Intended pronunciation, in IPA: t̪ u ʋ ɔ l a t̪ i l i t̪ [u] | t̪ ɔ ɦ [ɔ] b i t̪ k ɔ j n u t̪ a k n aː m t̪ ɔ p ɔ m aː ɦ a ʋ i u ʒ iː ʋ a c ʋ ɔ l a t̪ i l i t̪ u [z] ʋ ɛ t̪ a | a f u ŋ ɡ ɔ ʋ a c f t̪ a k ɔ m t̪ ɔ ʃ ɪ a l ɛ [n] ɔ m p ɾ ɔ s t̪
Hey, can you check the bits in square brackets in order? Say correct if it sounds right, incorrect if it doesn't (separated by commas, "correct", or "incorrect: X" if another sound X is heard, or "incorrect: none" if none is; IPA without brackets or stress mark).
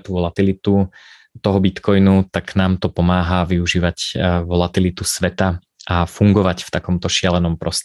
correct, correct, incorrect: s, correct